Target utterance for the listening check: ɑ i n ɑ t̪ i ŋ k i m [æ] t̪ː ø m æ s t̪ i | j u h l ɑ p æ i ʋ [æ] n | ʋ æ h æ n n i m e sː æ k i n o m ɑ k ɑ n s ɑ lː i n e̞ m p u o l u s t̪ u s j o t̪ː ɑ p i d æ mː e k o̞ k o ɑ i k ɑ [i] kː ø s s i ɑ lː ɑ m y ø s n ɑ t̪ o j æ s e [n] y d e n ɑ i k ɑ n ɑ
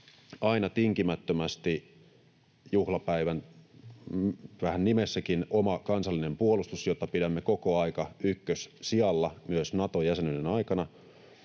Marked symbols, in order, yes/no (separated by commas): yes, yes, no, yes